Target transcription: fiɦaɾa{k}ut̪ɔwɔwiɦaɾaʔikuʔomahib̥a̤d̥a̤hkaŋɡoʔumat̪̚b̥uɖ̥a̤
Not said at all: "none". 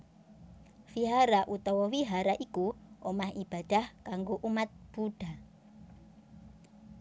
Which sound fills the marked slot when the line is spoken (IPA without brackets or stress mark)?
ʔ